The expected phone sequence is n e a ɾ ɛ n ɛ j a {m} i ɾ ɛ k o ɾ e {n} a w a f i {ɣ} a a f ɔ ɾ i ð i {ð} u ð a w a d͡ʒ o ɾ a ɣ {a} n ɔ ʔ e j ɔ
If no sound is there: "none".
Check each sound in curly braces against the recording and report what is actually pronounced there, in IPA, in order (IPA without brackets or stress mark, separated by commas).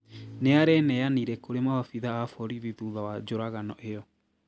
n, m, ð, ð, a